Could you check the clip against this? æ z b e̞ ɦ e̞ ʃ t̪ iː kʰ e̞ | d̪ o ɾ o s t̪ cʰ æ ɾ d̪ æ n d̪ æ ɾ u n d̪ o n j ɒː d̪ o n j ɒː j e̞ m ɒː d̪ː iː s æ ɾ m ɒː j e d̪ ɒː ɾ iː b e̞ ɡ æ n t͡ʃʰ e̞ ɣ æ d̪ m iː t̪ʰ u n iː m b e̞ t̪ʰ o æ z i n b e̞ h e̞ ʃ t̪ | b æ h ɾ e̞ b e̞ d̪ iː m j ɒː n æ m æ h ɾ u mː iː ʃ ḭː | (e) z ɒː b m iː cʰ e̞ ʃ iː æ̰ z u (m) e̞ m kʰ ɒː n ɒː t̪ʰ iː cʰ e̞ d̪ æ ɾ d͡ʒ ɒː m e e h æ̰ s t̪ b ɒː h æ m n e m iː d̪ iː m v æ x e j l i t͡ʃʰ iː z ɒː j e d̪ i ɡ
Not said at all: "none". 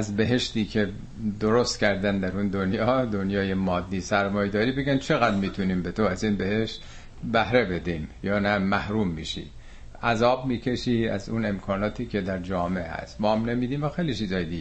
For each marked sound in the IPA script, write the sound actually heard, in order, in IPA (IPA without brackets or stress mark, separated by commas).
æ, n